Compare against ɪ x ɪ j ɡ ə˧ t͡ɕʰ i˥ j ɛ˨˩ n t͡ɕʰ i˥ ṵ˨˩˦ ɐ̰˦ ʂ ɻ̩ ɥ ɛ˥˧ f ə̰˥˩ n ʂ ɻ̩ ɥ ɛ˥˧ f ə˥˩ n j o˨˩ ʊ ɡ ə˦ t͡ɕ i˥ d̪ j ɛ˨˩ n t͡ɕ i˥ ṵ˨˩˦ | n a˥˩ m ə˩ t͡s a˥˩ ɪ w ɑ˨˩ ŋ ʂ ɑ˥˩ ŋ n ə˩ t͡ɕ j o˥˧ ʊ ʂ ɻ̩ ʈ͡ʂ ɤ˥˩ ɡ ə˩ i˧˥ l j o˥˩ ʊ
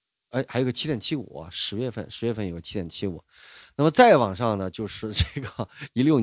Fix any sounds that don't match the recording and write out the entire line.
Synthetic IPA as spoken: ɪ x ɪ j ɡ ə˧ t͡ɕʰ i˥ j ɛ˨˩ n t͡ɕʰ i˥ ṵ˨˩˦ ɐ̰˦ ʂ ɻ̩ ɥ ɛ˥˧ f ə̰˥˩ n ʂ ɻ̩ ɥ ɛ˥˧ f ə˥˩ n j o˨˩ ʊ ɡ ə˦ t͡ɕʰ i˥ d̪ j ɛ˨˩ n t͡ɕʰ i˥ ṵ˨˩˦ | n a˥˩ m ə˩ t͡s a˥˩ ɪ w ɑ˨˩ ŋ ʂ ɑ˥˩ ŋ n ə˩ t͡ɕ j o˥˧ ʊ ʂ ɻ̩ ʈ͡ʂ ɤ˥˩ ɡ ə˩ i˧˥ l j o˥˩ ʊ